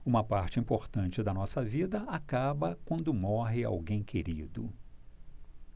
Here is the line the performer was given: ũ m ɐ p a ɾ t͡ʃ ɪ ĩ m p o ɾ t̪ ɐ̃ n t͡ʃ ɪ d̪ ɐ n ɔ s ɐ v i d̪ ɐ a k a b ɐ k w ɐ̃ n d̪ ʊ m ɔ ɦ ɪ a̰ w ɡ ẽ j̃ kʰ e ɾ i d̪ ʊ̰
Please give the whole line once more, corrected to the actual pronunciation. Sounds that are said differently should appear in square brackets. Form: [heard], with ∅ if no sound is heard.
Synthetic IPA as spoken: ũ m ɐ p a ɾ t͡ʃ ɪ ĩ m p o ɾ t̪ ɐ̃ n t͡ʃ ɪ d̪ ɐ n ɔ s ɐ v i d̪ ɐ a k a b ɐ k w ɐ̃ n d̪ ʊ m ɔ ɦ ɪ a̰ w ɡ ẽ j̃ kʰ e ɾ i d̪ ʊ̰